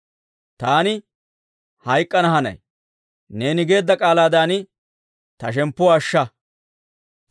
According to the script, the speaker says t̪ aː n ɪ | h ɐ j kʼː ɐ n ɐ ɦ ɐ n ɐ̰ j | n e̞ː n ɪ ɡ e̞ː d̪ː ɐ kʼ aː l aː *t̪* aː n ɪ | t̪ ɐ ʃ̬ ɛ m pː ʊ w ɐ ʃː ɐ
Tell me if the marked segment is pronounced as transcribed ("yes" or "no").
no